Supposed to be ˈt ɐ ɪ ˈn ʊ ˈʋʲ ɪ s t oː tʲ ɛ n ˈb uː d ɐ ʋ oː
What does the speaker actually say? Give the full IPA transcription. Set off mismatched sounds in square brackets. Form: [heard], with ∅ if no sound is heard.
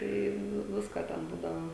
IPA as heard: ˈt ɐ ɪ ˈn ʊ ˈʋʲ ɪ s [k] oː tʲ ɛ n ˈb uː d ɐ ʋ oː